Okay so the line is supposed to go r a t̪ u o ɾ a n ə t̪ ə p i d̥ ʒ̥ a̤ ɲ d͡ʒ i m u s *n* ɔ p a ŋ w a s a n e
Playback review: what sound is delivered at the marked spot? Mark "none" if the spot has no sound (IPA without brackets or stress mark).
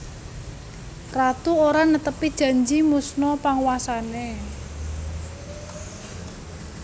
n